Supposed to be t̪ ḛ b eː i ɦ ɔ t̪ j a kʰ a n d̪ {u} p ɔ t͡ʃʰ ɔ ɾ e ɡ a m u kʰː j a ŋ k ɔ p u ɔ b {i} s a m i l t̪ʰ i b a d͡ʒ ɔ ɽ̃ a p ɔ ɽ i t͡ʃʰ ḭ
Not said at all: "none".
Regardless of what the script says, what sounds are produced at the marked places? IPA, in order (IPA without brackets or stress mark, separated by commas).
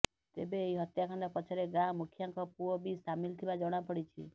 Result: ɔ, i